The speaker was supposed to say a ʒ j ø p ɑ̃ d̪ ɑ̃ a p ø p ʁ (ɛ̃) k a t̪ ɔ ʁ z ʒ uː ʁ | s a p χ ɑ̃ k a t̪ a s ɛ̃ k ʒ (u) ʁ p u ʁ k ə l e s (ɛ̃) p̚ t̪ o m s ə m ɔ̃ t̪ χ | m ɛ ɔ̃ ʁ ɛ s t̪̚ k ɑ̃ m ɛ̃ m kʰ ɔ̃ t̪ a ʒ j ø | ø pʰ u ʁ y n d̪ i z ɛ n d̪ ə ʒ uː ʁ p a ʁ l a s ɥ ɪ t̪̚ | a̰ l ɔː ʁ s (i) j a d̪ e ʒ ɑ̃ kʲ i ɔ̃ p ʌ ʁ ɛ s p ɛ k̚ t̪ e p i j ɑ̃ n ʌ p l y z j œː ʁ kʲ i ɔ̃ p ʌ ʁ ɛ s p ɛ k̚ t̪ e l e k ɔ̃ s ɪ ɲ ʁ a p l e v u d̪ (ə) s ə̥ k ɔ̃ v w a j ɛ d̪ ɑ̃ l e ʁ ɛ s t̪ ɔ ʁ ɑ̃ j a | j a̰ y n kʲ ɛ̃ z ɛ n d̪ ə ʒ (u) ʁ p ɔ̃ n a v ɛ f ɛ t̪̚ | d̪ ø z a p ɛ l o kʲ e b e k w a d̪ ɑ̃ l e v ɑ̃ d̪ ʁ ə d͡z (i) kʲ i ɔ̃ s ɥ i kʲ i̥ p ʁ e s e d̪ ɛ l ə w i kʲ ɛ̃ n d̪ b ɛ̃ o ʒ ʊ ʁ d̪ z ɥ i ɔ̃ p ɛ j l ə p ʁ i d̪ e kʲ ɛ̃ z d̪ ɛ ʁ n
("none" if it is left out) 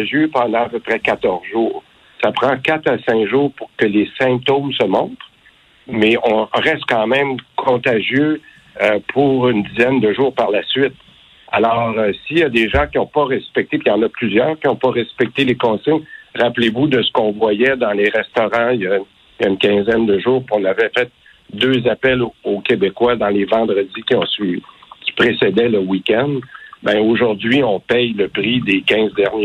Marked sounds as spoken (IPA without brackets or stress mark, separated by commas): ɛ, uː, ɛ̃, i, ə, uː, i